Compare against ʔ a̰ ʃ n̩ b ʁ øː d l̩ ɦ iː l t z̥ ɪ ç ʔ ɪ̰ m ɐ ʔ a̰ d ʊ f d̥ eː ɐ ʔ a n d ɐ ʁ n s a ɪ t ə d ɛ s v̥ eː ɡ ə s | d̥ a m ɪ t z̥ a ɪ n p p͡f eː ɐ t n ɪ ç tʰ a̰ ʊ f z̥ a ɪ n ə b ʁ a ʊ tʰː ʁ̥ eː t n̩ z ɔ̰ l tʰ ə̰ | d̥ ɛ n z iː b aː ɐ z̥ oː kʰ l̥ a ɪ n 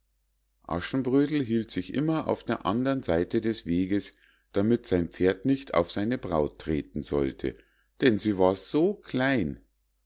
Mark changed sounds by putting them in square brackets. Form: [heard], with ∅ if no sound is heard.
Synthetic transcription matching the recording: ʔ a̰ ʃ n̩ b ʁ øː d l̩ ɦ iː l t z̥ ɪ ç ʔ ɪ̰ m ɐ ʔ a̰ [∅] ʊ f d̥ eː ɐ ʔ a n d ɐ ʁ n [z] a ɪ t ə d ɛ s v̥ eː ɡ ə s | d̥ a m ɪ t z̥ a ɪ n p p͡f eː ɐ t n ɪ ç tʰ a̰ ʊ f z̥ a ɪ n ə b ʁ a ʊ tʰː ʁ̥ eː t n̩ z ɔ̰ l tʰ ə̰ | d̥ ɛ n z iː [v] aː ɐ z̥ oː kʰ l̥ a ɪ n